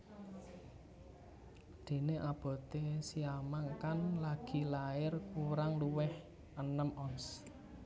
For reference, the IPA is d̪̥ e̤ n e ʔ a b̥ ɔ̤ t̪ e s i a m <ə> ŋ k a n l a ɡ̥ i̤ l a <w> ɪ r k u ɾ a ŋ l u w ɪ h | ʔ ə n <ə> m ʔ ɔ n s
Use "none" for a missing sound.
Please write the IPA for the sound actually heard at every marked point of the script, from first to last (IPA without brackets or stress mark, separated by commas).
a, none, ə